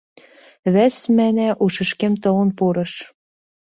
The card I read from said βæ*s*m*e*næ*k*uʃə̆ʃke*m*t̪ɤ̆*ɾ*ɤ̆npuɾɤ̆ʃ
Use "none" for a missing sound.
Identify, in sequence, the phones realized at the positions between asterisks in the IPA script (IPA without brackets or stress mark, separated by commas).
s, æ, ʔ, m, l